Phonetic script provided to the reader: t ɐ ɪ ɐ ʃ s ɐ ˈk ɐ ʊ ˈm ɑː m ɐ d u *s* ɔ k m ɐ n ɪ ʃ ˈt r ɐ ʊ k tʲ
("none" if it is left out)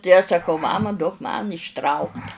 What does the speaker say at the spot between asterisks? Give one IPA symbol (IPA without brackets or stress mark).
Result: none